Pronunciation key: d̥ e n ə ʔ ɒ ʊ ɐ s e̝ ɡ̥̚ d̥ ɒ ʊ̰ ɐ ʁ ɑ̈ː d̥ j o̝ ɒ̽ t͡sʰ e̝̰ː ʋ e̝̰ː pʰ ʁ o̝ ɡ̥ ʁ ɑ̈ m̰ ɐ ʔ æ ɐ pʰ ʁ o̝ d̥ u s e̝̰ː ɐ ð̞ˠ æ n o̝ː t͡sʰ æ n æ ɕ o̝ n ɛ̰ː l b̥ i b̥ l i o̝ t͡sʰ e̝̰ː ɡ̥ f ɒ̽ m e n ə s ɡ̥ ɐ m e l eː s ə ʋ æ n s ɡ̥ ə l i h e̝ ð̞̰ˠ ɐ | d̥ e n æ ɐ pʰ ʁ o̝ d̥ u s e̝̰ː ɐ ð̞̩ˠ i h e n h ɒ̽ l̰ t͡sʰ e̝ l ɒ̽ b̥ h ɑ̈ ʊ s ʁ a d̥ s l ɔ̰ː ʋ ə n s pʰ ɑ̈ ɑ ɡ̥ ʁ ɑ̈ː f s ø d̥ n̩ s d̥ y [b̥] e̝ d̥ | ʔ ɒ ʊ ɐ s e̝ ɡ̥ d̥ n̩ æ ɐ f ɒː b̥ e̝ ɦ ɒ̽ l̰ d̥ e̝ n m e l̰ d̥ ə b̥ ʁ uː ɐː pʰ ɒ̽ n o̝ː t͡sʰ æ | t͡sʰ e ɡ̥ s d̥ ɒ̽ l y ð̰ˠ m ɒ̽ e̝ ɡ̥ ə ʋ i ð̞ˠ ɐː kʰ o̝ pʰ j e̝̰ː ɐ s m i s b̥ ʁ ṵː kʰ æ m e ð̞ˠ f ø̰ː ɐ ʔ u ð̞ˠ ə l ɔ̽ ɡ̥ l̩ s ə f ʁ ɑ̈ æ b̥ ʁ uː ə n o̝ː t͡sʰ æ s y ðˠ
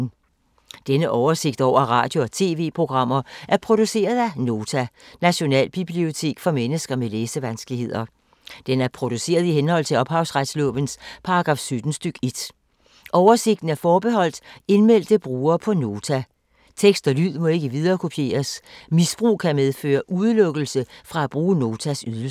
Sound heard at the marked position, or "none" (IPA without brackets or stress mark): ɡ̥